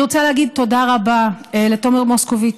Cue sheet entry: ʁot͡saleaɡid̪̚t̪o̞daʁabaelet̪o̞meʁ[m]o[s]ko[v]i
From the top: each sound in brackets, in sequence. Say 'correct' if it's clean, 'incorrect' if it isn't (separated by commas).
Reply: correct, correct, correct